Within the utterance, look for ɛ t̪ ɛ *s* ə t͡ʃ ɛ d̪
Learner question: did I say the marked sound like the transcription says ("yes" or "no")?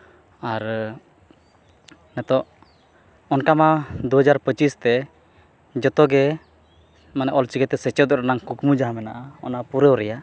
yes